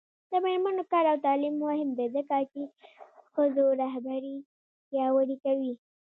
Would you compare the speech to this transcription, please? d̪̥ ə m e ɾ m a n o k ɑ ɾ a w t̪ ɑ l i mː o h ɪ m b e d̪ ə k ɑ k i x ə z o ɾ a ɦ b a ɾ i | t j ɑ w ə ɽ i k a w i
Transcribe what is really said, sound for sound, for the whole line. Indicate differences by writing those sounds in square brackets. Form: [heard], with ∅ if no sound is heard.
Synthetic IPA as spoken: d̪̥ ə m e ɾ m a n o k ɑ ɾ a w t̪ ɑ l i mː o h ɪ m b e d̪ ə k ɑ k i x ə z o ɾ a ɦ b a ɾ i | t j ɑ w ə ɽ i k a w i